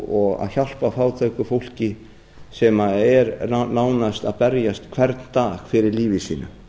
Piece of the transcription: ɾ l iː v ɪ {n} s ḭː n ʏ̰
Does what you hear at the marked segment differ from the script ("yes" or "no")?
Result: yes